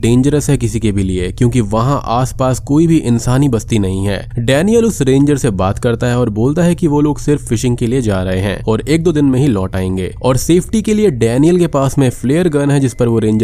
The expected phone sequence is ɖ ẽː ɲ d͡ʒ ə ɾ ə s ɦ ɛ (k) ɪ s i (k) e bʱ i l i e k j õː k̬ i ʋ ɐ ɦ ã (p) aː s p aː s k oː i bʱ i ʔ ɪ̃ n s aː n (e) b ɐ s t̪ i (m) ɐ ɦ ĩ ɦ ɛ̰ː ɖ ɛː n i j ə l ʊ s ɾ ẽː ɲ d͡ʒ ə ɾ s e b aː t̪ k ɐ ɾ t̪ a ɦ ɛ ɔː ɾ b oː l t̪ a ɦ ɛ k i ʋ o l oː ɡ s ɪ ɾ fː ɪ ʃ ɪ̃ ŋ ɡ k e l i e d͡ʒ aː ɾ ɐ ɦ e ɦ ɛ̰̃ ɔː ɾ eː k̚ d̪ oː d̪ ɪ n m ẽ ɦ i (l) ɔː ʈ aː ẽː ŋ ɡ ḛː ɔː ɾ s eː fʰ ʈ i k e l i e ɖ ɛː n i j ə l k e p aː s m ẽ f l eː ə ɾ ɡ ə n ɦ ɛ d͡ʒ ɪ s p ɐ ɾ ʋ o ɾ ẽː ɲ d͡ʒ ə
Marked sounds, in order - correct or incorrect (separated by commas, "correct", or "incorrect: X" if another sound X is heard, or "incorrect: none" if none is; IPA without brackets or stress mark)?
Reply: correct, correct, incorrect: ʔ, incorrect: i, incorrect: n, correct